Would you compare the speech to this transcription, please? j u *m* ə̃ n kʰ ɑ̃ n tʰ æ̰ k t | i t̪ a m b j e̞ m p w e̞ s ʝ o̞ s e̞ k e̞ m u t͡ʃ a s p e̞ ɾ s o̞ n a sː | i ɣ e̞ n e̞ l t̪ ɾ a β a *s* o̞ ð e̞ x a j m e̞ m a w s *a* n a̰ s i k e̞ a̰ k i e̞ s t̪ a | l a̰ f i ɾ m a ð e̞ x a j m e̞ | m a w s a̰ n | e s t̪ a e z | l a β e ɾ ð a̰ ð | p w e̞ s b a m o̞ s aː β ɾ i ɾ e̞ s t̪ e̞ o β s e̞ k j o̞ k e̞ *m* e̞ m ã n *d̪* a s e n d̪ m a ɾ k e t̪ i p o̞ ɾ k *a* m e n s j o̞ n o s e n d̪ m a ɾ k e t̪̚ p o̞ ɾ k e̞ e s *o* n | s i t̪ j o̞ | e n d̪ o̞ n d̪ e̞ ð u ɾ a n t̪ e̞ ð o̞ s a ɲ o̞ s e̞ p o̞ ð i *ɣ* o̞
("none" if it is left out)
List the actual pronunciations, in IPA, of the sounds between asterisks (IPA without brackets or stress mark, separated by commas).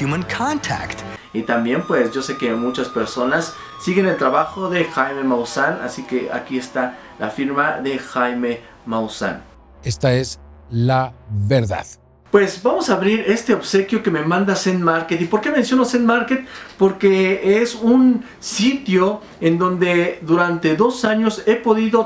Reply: m, x, a, m, d̪, e, u, ð